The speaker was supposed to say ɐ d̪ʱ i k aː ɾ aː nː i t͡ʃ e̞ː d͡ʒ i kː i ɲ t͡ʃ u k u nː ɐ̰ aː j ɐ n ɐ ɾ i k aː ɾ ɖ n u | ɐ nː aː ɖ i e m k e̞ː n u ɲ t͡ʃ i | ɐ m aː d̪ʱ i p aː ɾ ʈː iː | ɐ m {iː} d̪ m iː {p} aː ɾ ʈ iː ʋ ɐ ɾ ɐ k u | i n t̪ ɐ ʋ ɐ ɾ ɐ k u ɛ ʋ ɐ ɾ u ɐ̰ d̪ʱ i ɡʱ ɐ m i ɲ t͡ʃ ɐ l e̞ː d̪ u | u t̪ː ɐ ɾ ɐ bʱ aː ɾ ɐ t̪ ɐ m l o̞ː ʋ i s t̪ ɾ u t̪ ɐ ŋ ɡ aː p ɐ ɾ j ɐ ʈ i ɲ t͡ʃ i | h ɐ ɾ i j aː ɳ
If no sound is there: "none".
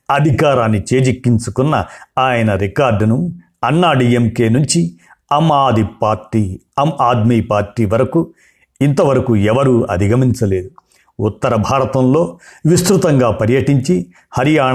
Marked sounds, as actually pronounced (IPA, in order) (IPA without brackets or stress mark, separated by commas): aː, p